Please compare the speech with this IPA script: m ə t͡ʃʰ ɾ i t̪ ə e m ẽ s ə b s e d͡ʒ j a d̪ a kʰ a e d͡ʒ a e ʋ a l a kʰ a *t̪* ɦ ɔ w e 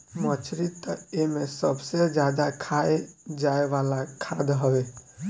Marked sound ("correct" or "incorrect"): incorrect